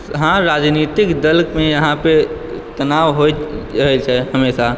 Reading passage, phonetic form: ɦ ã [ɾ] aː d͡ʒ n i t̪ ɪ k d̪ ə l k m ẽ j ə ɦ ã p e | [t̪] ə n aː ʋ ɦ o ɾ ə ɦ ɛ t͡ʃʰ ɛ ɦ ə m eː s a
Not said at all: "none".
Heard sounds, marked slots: ɾ, t̪

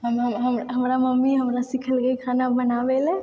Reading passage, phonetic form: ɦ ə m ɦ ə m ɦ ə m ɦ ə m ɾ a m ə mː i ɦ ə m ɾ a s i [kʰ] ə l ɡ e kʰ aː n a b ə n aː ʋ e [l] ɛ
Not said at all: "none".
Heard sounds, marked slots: kʰ, l

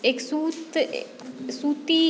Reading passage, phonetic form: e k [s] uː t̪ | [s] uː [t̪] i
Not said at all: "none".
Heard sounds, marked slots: s, s, t̪

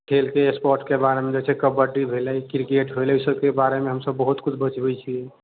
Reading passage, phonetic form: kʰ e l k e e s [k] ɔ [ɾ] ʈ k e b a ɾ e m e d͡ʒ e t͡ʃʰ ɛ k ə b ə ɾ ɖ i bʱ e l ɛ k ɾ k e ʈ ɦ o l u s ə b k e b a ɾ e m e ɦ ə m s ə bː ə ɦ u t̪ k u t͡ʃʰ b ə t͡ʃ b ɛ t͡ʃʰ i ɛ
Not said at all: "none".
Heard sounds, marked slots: p, ɾ

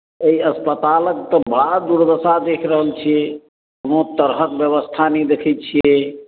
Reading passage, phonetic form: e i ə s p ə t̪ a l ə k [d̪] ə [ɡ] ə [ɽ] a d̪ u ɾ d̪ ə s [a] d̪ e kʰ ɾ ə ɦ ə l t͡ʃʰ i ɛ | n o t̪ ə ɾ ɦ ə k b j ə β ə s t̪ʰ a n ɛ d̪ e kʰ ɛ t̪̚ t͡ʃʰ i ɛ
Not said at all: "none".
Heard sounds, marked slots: t̪, b, ɽ, a

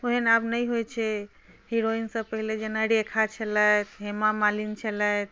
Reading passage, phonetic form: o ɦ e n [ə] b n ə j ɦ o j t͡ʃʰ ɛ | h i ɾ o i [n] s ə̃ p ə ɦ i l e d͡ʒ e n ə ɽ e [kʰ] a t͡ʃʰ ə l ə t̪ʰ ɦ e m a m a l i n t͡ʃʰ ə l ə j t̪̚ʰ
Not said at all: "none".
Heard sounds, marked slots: a, n, kʰ

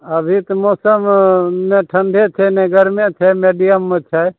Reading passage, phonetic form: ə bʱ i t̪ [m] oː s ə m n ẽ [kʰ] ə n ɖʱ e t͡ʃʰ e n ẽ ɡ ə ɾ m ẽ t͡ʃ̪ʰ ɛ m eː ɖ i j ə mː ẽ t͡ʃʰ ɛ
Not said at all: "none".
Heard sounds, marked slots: m, ʈʰ

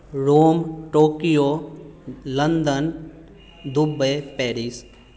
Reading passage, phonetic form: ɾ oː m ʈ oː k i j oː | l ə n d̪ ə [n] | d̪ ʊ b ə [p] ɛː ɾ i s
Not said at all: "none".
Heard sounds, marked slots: n, p

